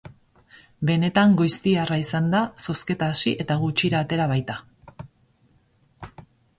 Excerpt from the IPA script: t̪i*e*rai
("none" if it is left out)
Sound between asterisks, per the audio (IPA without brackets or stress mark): a